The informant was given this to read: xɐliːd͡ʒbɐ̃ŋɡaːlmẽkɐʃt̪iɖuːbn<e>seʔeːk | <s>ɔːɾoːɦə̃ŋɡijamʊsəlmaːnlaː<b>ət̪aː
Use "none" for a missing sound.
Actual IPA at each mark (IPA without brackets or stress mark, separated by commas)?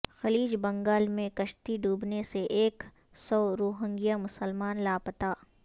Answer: e, s, p